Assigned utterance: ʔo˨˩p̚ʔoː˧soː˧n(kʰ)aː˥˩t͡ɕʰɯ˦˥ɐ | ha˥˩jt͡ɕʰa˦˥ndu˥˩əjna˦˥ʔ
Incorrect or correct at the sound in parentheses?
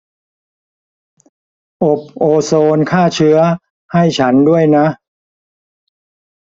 correct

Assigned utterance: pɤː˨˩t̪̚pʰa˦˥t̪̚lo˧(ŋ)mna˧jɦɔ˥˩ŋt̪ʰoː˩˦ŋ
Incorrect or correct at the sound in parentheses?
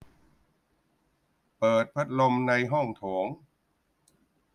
incorrect: none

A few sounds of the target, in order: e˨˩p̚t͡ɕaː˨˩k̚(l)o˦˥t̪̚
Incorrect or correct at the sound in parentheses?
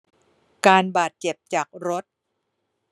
incorrect: ɾ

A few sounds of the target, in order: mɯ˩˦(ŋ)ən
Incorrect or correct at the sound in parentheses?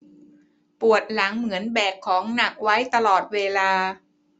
incorrect: none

